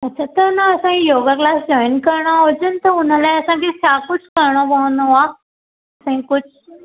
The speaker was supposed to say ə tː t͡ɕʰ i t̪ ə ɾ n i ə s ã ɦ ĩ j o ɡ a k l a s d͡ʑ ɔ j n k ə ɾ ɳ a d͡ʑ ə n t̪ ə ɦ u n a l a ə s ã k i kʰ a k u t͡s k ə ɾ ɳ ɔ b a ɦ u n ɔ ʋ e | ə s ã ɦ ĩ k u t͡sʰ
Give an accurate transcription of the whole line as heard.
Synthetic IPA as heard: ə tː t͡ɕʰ a t̪ ə ɾ n a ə s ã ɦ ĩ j o ɡ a k l a s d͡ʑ ɔ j n k ə ɾ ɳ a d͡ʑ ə n t̪ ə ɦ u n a l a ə s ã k i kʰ a k u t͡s k ə ɾ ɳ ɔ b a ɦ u n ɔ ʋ a | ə s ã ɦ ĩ k u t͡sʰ